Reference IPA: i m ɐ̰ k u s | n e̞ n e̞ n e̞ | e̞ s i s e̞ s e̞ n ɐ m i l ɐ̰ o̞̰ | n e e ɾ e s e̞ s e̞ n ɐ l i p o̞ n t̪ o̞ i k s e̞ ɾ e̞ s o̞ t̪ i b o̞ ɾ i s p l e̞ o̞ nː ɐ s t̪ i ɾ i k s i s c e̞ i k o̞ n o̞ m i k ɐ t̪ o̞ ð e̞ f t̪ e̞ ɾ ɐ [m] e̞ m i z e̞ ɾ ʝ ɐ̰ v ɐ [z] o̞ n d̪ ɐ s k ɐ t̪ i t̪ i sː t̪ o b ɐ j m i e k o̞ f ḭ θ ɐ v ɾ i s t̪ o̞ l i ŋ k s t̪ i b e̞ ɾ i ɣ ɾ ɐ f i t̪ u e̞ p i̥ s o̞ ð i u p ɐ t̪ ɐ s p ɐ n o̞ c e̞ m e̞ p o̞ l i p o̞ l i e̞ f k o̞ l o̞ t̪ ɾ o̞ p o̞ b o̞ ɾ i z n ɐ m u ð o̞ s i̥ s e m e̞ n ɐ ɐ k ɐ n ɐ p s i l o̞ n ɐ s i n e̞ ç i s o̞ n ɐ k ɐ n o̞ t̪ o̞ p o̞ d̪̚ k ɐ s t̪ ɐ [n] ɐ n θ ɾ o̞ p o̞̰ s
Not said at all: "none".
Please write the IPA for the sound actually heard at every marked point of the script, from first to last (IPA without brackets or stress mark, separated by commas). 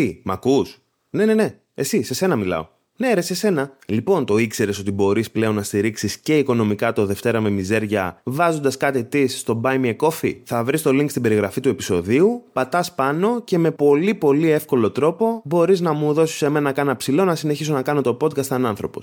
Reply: m, z, n